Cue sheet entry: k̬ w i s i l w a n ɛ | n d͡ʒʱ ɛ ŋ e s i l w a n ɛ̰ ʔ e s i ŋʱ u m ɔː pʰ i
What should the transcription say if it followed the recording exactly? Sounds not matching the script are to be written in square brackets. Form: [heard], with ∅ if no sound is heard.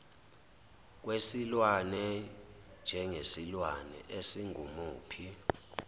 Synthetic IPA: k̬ w [e] s i l w a n ɛ | n d͡ʒʱ ɛ ŋ e s i l w a n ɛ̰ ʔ e s i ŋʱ u m [uː] pʰ i

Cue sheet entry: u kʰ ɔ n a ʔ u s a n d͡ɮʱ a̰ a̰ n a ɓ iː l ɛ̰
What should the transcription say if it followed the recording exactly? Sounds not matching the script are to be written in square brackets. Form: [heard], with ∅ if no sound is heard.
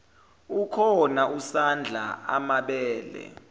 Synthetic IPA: u kʰ ɔ n a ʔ u s a n d͡ɮʱ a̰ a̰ [m] a ɓ [ɛː] l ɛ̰

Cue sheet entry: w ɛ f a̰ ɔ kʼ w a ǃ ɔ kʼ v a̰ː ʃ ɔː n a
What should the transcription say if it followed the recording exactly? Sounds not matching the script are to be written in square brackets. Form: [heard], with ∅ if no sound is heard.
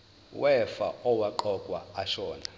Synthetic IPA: w ɛ f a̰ ɔ [∅] w a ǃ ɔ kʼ [w] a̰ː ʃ ɔː n a

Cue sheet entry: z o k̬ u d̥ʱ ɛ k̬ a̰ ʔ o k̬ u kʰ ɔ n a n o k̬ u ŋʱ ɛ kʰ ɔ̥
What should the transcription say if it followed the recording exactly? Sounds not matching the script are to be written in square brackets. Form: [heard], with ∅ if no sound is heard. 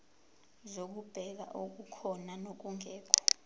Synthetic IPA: z o k̬ u [b̥ʱ] ɛ k̬ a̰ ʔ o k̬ u kʰ ɔ n a n o k̬ u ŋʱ [ɛː] kʰ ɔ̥

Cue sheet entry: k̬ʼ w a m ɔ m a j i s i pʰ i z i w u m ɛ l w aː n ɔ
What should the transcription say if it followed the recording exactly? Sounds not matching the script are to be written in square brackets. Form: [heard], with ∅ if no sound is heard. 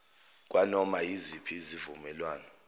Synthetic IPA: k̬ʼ w a [n] ɔ m a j i [z] i pʰ i z i [v] u m ɛ l w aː n ɔ

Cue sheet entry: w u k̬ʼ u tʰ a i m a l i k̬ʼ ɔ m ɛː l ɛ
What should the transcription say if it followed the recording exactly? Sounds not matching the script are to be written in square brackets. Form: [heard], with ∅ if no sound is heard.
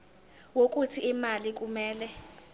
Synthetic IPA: w [o] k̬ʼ u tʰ [i] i m a l i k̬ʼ [u] m ɛː l ɛ

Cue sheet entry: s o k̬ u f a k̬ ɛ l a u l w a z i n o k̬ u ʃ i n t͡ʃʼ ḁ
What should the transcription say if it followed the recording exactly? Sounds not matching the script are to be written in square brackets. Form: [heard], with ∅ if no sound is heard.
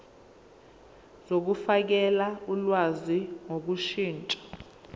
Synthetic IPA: [z] o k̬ u f a k̬ ɛ l a u l w a z i [ŋ] o k̬ u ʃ [iː] n t͡ʃʼ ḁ

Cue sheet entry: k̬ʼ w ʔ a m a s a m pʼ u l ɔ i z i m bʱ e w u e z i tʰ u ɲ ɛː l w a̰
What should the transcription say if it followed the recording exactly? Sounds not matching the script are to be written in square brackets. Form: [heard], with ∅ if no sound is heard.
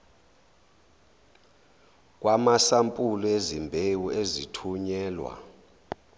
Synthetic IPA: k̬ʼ w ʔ a m a s a m pʼ u l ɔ [e] z i m bʱ e w u e z i tʰ u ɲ ɛː l w a̰

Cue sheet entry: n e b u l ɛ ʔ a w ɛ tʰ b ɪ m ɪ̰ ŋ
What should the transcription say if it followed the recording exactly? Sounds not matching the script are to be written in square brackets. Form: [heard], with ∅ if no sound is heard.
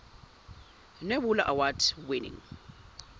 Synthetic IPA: n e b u l [a] ʔ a w [a] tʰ [w] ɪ [n] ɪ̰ ŋ

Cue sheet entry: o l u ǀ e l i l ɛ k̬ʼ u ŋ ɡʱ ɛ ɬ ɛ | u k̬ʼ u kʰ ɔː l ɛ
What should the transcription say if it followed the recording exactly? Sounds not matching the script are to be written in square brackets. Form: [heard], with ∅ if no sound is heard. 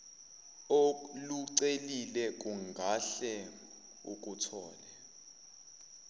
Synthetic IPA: o l u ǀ e l i l ɛ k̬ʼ u ŋ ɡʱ [a] ɬ ɛ | u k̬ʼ u [tʰ] ɔː l ɛ

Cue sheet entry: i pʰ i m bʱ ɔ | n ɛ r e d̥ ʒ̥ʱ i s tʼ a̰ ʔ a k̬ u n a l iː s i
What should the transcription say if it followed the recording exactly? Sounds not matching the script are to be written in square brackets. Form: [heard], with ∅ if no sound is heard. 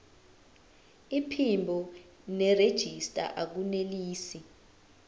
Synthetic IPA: i pʰ i m bʱ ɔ | n ɛ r e d̥ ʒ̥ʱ i s tʼ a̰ ʔ a k̬ u n [e] l iː s i

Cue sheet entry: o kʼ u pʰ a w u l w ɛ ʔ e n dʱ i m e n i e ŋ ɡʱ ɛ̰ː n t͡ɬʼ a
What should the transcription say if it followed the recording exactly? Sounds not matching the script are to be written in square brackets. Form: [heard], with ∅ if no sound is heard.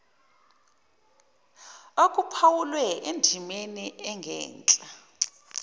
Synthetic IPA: o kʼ u pʰ a w u l w ɛ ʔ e n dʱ i m e n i [ɛ] ŋ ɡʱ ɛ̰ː n t͡ɬʼ a

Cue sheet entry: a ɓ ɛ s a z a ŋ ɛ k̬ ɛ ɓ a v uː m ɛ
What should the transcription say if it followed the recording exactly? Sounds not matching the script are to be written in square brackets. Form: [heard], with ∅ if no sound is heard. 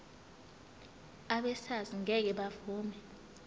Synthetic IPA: a ɓ ɛ s a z [i] ŋ ɛ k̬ ɛ ɓ a v uː m ɛ

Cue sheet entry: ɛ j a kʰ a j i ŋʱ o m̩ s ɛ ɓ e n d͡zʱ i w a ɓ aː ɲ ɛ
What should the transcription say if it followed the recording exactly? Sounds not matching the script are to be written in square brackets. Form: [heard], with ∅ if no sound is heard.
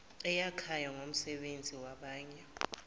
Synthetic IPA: ɛ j a kʰ a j [a] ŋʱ o m̩ s ɛ ɓ e n d͡zʱ i w a ɓ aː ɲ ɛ

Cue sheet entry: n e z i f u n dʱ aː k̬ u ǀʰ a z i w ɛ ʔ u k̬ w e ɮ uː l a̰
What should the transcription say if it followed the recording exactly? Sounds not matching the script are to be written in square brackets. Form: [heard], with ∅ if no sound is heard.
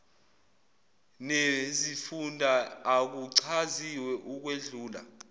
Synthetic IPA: n e z i f u n dʱ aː k̬ u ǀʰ a z i w ɛ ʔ u k̬ w e ɮ uː l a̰

